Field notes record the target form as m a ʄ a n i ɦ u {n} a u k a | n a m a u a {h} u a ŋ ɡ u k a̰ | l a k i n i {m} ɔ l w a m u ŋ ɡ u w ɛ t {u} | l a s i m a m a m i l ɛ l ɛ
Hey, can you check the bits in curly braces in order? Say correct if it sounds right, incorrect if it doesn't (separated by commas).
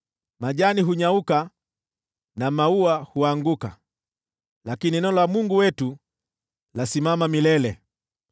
incorrect, correct, incorrect, correct